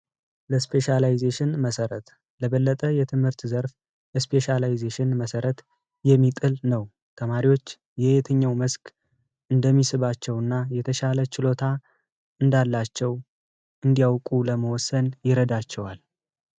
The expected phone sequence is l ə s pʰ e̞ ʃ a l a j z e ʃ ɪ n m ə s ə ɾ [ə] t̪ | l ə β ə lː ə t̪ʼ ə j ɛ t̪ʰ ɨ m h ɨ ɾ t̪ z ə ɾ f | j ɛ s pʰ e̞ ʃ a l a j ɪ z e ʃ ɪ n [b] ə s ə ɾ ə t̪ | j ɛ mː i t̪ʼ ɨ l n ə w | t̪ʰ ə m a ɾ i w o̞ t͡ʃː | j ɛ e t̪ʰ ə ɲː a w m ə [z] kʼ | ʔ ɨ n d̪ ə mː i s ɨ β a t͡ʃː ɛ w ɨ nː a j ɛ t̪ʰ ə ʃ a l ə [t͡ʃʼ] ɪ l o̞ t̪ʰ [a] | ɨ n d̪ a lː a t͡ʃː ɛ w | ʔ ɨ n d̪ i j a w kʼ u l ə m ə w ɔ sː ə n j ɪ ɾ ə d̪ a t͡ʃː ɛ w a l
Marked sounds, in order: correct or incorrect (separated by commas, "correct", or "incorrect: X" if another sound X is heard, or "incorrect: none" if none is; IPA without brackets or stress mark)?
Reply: correct, incorrect: m, incorrect: s, incorrect: t͡ʃ, correct